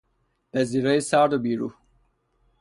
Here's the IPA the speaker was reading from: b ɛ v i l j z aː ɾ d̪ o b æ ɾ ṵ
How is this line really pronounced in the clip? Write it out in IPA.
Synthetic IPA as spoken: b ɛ z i ɾ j s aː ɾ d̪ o b i ɾ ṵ